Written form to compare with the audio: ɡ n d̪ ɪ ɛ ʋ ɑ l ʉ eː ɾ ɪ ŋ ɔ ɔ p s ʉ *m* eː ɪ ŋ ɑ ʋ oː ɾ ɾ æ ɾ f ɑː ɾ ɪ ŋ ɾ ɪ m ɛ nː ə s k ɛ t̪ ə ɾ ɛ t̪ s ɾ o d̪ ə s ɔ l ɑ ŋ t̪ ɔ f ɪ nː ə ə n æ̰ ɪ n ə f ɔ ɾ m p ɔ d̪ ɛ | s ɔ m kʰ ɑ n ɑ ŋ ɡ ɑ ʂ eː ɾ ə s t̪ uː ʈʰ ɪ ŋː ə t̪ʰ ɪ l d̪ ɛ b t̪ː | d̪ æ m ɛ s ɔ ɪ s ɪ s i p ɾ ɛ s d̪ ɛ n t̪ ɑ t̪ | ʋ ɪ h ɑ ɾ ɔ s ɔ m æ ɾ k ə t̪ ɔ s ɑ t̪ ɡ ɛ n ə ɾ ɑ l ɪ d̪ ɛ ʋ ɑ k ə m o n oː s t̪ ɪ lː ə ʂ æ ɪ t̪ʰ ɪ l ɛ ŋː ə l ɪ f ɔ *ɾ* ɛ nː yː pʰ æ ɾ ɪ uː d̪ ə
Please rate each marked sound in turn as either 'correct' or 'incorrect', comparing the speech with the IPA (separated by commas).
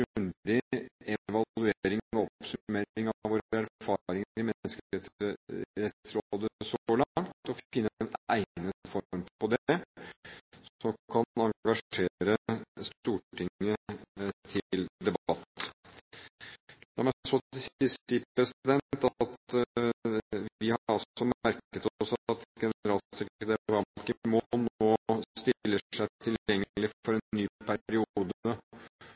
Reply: correct, correct